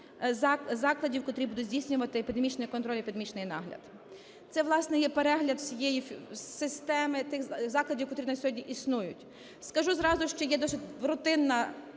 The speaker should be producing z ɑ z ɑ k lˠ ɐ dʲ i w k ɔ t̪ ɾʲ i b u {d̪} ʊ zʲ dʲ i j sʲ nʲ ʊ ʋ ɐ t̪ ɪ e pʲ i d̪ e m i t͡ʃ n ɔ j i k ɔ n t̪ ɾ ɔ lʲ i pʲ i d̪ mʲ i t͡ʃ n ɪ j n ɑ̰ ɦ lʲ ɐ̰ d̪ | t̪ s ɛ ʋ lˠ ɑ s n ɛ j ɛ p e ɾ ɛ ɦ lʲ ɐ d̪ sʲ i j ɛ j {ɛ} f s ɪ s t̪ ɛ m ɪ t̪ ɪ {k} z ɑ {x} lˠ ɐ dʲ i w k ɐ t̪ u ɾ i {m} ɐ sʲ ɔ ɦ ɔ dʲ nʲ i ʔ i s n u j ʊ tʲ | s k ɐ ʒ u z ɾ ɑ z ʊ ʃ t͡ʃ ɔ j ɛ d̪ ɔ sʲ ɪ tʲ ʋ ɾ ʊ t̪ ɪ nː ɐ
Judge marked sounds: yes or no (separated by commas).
yes, no, no, no, no